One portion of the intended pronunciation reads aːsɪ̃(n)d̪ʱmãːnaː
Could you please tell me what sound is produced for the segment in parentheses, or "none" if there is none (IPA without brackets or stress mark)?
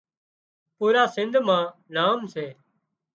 n